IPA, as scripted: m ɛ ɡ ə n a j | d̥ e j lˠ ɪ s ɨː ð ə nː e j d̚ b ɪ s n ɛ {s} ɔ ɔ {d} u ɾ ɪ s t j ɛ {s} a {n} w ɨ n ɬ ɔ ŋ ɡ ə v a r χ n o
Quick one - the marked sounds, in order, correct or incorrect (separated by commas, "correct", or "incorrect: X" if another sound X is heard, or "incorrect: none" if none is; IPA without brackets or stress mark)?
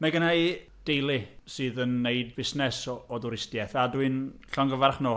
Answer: correct, correct, incorrect: θ, incorrect: d